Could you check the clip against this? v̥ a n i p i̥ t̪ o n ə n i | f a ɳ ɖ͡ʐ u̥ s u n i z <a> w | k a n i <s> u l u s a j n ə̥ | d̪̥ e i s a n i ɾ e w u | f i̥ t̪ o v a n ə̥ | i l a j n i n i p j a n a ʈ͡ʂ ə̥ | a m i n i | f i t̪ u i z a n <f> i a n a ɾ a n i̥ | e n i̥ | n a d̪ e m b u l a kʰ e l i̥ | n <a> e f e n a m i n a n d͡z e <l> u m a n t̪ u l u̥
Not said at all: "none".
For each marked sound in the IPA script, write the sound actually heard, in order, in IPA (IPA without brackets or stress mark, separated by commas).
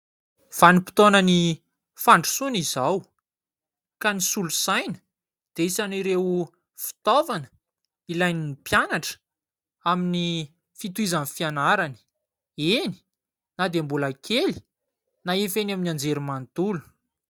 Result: a, s, f, a, ɾ